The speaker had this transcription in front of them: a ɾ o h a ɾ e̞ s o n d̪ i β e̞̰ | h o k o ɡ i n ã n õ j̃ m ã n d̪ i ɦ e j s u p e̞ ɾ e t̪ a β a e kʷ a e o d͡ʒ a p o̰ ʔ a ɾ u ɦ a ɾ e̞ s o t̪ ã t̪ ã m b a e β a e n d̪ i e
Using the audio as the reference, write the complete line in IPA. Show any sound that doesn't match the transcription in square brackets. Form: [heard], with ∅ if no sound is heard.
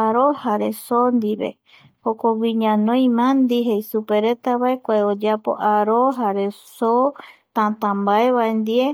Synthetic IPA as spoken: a ɾ o h a ɾ e̞ s o n d̪ i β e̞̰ | h o k o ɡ i [ɲ] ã n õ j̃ m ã n d̪ i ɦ e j s u p e̞ ɾ e t̪ a β a e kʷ a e o d͡ʒ a p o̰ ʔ a ɾ [o] ɦ a ɾ e̞ s o t̪ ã t̪ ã m b a e β a e n d̪ i e